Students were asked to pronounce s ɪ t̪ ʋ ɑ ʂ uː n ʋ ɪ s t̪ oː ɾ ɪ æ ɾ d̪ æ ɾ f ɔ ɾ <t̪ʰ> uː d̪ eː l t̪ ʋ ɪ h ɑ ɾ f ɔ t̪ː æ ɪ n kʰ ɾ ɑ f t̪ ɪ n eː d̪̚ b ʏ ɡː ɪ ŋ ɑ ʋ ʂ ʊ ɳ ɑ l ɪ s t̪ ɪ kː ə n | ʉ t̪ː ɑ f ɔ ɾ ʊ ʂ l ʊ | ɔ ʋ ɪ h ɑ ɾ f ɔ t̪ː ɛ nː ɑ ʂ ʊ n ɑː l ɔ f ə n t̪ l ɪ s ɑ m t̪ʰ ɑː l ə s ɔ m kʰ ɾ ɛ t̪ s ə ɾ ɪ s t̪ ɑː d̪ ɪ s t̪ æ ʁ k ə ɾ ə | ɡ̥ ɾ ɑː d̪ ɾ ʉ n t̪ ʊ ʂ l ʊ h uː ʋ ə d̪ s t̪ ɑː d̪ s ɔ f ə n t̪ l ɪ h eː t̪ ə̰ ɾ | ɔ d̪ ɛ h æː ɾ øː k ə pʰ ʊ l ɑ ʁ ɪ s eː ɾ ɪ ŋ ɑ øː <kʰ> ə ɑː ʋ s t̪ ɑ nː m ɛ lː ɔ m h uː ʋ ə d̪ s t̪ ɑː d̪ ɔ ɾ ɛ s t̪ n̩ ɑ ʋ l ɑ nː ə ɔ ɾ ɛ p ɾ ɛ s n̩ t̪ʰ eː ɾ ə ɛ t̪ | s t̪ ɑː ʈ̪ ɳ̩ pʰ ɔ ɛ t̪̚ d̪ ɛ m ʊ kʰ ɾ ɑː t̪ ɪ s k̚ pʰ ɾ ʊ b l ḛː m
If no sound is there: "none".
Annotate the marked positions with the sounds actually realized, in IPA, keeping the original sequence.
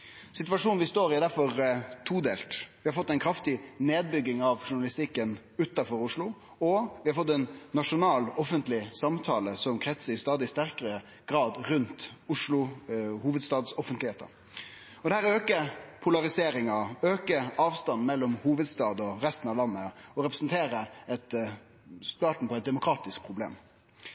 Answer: t̪ʰ, k

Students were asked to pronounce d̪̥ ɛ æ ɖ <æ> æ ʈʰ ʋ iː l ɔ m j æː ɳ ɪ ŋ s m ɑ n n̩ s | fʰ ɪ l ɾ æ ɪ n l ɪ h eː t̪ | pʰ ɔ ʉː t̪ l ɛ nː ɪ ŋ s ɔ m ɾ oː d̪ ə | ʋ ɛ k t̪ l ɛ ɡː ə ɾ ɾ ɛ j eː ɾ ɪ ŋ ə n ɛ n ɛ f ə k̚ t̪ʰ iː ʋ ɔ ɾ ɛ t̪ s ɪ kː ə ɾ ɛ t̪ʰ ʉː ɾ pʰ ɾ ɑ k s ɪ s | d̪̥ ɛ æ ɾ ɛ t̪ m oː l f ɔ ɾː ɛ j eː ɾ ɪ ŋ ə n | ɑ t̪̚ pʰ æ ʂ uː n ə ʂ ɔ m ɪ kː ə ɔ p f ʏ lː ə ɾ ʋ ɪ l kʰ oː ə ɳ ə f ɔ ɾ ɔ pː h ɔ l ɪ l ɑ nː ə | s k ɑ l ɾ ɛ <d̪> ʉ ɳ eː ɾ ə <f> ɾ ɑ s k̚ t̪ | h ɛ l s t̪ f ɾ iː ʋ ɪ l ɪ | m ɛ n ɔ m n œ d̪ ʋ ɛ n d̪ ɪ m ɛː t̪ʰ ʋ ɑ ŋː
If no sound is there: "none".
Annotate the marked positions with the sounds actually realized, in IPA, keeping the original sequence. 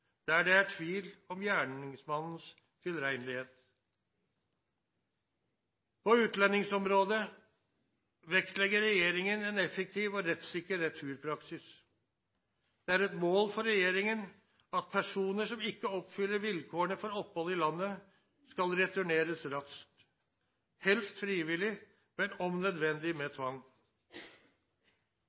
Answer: ɛ, t̪, s

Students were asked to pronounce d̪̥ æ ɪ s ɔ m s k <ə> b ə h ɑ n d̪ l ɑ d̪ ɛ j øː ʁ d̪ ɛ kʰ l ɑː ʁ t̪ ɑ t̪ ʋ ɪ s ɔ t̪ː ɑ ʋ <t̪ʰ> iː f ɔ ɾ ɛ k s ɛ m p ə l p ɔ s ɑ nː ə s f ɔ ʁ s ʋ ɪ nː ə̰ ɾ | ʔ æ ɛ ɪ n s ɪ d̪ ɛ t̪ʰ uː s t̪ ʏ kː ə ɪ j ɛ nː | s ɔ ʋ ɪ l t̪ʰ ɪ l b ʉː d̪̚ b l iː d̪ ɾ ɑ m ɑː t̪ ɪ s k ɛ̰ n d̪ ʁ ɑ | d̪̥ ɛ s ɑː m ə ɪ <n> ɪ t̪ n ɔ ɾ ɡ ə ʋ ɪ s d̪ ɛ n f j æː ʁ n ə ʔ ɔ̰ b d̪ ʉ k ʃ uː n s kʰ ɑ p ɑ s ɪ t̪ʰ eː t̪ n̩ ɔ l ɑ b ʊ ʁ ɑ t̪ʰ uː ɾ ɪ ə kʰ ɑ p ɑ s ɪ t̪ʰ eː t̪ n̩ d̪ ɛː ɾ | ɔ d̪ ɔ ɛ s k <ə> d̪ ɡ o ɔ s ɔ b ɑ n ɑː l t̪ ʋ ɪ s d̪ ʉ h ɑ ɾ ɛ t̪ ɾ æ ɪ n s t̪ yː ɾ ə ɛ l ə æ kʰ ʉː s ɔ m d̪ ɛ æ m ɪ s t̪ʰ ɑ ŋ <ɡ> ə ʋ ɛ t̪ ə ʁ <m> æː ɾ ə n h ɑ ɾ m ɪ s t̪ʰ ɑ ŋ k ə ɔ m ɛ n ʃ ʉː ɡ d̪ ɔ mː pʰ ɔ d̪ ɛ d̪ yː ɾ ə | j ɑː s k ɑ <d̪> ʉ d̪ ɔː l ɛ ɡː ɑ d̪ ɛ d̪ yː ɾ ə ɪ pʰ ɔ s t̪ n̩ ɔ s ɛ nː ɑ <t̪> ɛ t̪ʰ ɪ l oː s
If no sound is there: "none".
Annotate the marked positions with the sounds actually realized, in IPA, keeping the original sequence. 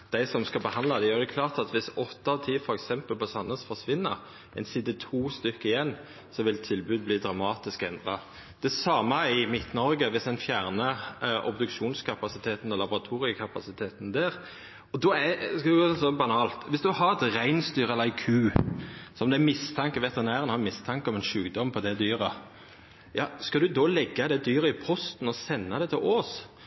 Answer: ɑ, t̪ʰ, m, ɑ, k, n, d̪, d̪

